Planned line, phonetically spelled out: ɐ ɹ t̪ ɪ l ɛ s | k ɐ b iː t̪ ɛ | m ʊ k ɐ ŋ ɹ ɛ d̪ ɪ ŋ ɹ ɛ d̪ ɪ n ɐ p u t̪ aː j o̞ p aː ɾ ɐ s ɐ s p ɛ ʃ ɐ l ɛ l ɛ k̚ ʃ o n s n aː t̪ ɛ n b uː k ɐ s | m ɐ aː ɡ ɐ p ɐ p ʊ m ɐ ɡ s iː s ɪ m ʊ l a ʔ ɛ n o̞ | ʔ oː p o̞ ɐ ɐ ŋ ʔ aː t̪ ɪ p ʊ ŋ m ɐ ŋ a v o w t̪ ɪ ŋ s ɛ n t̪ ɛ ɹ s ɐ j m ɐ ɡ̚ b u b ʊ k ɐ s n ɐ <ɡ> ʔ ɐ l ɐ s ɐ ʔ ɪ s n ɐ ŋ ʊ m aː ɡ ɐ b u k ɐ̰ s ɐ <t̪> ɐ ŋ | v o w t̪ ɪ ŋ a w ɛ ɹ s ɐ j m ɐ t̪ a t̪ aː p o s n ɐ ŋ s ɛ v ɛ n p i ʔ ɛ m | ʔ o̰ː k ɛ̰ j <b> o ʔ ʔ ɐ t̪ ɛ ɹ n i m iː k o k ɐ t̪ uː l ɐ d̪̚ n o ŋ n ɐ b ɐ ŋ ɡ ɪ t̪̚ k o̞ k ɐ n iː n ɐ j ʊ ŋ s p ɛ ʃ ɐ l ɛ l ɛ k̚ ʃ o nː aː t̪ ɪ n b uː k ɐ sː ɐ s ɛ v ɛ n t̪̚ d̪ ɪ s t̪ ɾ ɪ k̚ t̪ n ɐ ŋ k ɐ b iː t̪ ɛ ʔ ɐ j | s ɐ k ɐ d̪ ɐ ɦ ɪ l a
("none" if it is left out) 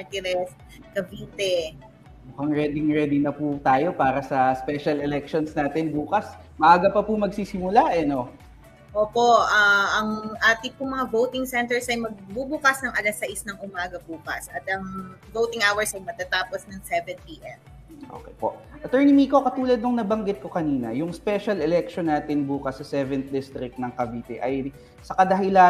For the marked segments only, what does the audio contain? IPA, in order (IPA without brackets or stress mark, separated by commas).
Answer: ŋ, t̪, p